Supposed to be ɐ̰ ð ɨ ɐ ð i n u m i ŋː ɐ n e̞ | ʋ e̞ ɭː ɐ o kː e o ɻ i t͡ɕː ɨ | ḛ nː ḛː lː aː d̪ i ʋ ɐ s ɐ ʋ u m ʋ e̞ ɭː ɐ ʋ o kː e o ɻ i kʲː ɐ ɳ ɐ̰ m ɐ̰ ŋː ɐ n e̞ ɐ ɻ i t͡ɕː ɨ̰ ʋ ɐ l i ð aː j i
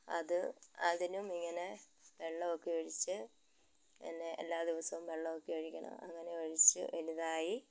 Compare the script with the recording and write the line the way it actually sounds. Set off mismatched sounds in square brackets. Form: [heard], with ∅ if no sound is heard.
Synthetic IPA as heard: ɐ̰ ð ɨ ɐ ð i n u m i ŋː ɐ n e̞ | ʋ e̞ ɭː ɐ o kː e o ɻ i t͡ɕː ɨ | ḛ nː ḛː lː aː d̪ i ʋ ɐ s ɐ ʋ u m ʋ e̞ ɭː ɐ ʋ o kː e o ɻ i kʲː ɐ ɳ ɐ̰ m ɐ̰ ŋː ɐ n e̞ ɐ ɻ i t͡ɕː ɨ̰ ʋ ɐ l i ð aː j i